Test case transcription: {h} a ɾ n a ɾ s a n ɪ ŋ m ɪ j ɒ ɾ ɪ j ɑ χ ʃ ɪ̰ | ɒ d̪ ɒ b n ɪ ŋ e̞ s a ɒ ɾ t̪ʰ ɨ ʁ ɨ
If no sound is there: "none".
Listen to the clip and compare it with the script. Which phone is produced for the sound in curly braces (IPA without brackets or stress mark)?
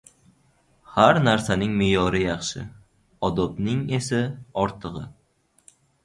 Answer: h